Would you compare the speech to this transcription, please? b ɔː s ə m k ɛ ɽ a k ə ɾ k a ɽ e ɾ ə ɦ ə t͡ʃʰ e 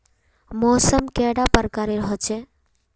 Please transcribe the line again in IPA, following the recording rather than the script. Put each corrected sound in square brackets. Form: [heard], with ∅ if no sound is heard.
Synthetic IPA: [m] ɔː s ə m k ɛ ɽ a [p] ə ɾ k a [ɾ] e ɾ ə ɦ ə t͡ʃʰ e